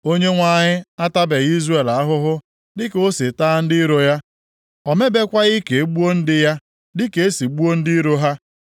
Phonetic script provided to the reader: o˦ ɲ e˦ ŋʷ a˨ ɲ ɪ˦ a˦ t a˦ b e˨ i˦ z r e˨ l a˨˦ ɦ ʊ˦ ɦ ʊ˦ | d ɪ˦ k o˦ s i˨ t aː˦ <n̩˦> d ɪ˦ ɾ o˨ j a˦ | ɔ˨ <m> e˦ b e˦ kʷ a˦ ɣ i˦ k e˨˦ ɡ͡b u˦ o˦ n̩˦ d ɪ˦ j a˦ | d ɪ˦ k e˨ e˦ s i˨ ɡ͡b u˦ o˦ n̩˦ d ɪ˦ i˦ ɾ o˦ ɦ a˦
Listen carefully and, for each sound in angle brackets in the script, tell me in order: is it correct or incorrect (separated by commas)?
correct, correct